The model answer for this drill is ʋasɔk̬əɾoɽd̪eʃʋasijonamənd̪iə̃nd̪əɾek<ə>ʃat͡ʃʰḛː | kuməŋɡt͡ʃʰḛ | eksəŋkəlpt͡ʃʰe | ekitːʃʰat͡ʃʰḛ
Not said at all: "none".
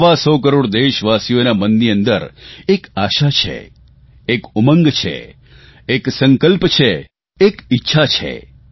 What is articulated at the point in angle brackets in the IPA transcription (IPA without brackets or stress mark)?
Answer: a